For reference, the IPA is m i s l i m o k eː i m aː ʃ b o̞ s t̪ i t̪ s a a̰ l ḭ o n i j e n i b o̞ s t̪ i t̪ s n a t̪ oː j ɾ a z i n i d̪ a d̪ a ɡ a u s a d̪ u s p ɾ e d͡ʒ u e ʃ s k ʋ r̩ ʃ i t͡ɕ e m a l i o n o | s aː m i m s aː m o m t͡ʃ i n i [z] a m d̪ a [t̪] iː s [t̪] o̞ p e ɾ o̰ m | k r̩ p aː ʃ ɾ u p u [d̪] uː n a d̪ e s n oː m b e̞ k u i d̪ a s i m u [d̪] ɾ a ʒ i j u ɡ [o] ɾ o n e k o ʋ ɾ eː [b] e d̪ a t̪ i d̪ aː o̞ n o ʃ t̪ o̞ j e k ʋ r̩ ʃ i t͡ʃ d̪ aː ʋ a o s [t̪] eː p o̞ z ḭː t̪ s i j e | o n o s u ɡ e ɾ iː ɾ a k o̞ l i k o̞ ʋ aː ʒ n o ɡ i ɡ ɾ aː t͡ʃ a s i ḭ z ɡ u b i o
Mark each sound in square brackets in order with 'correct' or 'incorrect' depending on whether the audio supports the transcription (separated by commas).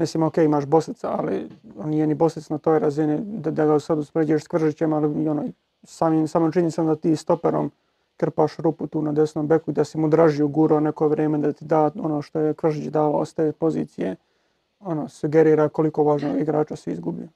incorrect, correct, correct, incorrect, correct, incorrect, incorrect, correct